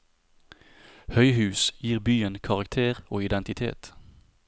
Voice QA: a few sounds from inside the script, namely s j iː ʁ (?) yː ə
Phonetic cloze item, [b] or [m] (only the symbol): b